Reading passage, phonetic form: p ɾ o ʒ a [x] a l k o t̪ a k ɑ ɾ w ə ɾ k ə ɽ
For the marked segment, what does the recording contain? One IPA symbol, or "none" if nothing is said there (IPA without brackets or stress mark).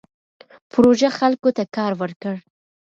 x